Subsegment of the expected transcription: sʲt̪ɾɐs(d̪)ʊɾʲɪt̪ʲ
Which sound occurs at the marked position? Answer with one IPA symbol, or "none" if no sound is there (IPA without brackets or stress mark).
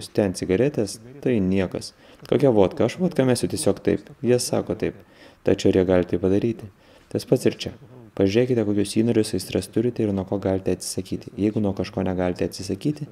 t̪